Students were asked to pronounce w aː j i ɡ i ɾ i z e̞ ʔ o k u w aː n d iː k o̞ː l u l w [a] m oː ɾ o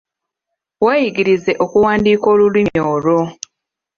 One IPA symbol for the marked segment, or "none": i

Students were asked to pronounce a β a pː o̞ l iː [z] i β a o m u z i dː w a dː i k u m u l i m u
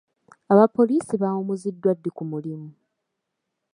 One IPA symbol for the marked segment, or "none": s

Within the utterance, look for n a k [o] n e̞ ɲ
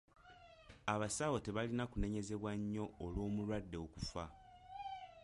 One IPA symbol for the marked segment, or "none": u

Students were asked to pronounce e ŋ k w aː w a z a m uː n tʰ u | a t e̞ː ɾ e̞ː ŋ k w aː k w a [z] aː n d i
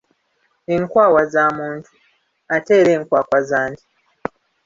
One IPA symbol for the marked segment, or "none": z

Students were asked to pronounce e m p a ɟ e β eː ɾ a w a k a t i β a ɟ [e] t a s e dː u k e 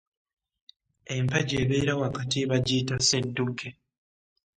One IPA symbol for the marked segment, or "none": i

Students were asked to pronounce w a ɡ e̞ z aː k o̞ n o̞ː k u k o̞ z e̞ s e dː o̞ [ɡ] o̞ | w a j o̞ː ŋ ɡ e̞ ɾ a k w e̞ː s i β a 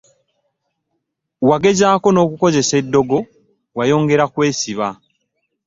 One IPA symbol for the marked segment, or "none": ɡ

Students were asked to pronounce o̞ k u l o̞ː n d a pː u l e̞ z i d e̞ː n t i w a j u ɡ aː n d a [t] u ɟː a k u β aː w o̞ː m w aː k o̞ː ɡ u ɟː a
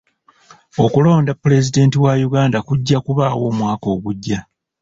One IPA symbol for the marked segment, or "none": k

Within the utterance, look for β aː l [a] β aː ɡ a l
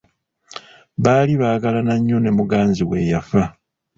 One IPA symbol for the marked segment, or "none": i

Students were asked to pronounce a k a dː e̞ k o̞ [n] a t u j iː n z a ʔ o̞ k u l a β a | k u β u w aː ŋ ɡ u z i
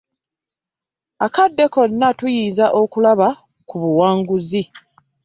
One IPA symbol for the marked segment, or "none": nː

